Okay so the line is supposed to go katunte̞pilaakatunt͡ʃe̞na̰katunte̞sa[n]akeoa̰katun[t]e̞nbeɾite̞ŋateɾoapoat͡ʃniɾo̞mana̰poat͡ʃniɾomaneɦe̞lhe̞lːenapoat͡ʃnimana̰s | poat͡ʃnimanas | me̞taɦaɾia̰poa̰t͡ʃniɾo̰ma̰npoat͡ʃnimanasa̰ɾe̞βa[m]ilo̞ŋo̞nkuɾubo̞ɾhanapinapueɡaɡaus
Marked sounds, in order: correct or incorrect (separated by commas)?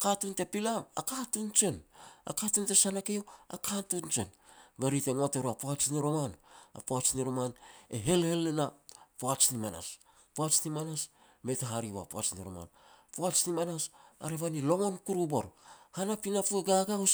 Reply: correct, incorrect, incorrect